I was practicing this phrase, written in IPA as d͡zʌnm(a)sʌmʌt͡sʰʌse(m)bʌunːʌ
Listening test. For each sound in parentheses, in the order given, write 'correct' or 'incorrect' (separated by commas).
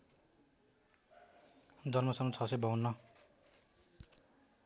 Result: incorrect, incorrect